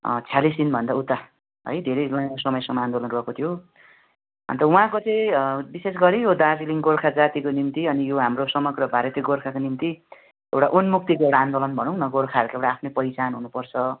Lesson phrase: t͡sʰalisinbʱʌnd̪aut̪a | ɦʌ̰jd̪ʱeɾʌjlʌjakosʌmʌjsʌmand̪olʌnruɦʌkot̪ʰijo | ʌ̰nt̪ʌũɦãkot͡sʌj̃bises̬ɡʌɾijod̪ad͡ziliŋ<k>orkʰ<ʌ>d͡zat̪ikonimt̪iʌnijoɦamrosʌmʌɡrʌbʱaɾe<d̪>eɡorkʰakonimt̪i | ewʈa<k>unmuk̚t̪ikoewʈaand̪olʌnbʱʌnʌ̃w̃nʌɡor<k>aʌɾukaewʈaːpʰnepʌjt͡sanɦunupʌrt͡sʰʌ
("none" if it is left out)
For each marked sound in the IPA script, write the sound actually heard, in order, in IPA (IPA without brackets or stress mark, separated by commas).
ɡ, a, t̪, ʔ, kʰ